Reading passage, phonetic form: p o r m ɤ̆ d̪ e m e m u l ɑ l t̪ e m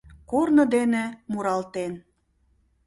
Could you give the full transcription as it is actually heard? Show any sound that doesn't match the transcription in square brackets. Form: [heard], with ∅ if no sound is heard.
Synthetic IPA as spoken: [k] o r [n] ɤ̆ d̪ e [n] e m u [ɾ] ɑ l t̪ e [n]